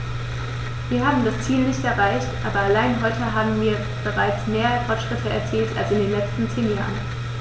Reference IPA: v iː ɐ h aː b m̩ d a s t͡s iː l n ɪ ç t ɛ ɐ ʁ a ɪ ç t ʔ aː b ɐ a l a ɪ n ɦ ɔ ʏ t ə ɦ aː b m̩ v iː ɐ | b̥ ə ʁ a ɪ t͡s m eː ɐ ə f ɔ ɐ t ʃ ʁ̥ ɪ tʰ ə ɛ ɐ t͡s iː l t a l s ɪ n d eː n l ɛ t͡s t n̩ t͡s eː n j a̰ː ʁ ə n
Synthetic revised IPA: v iː ɐ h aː b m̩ d a s t͡s iː l n ɪ ç t ɛ ɐ ʁ a ɪ ç t ʔ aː b ɐ a l a ɪ n ɦ ɔ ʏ t ə ɦ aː b m̩ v iː ɐ | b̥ ə ʁ a ɪ t͡s m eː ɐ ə f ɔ ɐ t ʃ ʁ̥ ɪ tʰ ə ɛ ɐ t͡s iː l t a l s ɪ n d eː n l ɛ t͡s t n̩ t͡s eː n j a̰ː ʁ ə n